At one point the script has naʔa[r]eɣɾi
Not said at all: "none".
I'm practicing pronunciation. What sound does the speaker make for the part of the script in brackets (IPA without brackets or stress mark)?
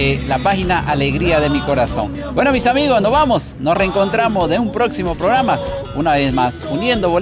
l